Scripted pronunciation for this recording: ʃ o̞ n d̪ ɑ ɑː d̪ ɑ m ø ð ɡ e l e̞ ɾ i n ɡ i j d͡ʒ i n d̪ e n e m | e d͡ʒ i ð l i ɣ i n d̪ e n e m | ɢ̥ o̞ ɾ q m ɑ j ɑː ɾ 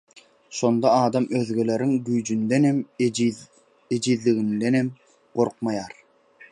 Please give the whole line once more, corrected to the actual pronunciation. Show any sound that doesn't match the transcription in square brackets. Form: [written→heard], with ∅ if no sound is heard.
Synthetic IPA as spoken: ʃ o̞ n d̪ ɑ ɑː d̪ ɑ m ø ð ɡ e l e̞ ɾ i [n→ŋ] ɡ [i→y] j d͡ʒ [i→y] n d̪ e n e m | e d͡ʒ i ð l i ɣ i n d̪ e n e m | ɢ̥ o̞ ɾ q m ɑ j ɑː ɾ